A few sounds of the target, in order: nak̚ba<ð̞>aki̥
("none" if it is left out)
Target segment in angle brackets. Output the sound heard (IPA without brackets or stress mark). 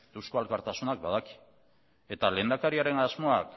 ð̞